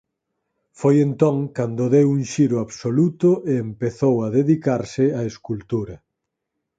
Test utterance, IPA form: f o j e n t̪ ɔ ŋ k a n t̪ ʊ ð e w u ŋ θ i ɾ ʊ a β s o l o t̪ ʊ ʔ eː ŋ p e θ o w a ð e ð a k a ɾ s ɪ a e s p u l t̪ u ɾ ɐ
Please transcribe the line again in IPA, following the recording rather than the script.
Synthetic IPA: f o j e n t̪ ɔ ŋ k a n d̪ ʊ ð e w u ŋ ʃ i ɾ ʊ a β s o l u t̪ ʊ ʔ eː m p e θ o w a ð e ð i k a ɾ s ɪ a e s k u l t̪ u ɾ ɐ